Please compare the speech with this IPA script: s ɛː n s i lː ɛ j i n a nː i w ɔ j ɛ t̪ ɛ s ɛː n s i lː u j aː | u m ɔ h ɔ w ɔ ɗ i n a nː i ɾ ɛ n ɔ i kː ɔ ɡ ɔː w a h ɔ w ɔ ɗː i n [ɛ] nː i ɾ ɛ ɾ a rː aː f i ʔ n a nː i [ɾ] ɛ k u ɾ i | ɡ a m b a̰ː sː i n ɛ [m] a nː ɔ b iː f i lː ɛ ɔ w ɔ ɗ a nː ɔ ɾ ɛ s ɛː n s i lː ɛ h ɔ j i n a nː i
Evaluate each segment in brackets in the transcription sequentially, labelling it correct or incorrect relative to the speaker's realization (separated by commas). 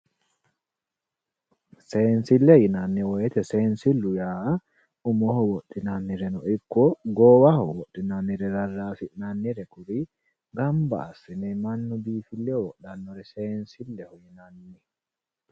incorrect, correct, correct